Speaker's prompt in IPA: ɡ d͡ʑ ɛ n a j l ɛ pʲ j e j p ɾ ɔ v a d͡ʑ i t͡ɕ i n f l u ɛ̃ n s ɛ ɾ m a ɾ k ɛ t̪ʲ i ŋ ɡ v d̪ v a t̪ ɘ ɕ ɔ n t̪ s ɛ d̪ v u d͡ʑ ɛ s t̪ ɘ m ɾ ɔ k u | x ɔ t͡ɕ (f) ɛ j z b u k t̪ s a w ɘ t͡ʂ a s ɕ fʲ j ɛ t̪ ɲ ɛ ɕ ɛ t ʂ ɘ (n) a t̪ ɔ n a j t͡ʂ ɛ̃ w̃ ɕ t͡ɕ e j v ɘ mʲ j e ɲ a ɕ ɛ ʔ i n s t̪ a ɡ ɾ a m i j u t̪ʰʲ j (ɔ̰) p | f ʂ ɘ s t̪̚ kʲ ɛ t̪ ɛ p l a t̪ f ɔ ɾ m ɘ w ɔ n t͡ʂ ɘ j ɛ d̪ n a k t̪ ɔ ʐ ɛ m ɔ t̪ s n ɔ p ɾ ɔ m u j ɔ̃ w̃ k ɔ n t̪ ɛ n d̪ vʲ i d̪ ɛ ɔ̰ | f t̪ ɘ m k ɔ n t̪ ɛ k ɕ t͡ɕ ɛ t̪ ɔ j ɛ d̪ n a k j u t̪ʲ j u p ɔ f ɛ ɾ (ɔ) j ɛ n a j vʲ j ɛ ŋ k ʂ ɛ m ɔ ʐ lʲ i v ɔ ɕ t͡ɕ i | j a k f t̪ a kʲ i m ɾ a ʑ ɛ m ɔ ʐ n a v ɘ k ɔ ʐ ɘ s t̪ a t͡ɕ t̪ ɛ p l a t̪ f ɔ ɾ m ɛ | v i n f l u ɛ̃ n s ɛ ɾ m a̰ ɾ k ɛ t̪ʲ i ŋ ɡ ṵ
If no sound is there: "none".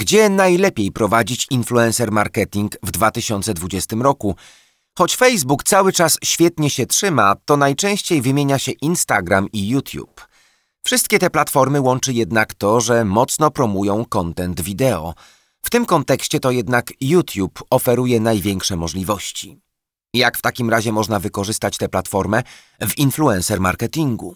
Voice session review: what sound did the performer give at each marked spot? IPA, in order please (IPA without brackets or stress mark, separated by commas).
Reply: f, m, ṵ, u